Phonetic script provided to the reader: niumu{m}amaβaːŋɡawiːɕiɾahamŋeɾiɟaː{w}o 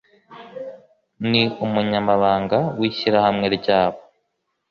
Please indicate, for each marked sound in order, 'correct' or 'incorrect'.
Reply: incorrect: ɲ, incorrect: β

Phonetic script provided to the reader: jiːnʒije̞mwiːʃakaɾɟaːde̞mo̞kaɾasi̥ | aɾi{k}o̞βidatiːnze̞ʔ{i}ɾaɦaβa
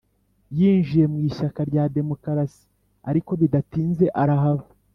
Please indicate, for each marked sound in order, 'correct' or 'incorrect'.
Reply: correct, incorrect: a

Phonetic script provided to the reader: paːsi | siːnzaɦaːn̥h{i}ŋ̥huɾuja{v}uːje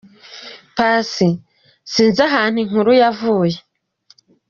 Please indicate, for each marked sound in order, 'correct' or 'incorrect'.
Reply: correct, correct

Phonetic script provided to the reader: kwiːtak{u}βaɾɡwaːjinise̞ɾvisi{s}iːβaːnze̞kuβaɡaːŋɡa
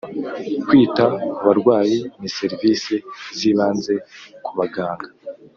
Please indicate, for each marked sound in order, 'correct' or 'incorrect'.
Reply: correct, incorrect: z

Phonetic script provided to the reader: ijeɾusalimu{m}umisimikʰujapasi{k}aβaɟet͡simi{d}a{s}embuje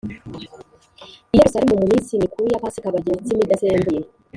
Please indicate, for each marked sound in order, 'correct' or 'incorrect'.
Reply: correct, correct, correct, correct

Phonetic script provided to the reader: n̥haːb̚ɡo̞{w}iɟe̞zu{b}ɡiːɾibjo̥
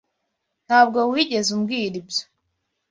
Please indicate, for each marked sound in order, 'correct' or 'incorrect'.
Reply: correct, incorrect: m

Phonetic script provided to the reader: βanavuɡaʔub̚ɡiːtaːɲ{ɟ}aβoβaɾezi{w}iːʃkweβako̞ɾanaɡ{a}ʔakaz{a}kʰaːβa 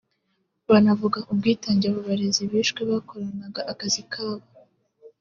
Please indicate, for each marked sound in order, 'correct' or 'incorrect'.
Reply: correct, incorrect: β, correct, incorrect: i

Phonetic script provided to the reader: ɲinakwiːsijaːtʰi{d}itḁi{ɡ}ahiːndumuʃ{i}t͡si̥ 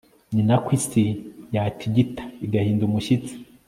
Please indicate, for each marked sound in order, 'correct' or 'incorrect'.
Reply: incorrect: ɟ, correct, correct

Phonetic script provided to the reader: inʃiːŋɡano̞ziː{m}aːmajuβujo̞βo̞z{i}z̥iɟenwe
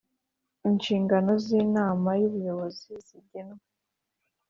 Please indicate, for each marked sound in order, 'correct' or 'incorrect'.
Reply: incorrect: n, correct

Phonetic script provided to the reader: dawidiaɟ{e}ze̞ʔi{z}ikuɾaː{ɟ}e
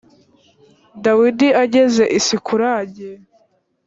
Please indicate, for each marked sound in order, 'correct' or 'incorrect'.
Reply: correct, incorrect: s, correct

